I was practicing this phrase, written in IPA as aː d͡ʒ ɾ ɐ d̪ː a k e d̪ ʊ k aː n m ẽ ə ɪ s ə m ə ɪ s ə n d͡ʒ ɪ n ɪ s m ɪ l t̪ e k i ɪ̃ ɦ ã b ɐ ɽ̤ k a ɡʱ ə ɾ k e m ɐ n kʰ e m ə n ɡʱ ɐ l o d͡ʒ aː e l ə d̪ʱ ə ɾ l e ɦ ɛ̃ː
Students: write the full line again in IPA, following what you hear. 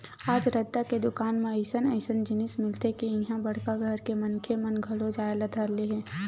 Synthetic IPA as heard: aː d͡ʒ ɾ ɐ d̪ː a k e d̪ ʊ k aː n m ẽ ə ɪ s ə n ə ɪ s ə n d͡ʒ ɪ n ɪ s m ɪ l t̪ e k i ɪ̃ ɦ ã b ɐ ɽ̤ k a ɡʱ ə ɾ k e m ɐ n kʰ e m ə n ɡʱ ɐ l o d͡ʒ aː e l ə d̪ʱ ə ɾ l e ɦ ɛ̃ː